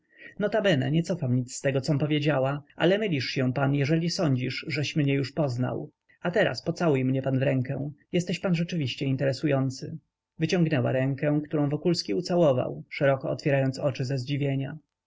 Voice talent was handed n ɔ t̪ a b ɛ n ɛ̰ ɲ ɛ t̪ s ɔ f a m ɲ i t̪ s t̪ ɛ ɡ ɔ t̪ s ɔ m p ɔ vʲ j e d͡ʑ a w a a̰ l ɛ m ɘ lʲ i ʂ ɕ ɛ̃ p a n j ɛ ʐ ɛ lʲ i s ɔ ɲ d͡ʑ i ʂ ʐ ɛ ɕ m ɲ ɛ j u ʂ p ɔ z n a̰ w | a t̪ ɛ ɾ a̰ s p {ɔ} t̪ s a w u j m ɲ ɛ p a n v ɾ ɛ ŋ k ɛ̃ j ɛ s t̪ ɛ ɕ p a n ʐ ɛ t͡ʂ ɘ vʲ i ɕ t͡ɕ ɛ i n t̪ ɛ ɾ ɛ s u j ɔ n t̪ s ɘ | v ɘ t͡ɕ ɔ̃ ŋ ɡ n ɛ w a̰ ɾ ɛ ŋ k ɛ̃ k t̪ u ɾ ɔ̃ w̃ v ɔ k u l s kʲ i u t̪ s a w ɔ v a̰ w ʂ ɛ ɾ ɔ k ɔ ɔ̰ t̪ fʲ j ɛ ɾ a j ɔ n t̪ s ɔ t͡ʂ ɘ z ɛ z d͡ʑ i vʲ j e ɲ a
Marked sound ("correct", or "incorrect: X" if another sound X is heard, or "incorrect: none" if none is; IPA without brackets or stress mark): correct